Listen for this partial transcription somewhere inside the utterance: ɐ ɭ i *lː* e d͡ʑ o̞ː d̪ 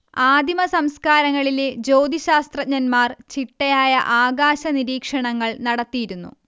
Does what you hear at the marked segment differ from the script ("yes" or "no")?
yes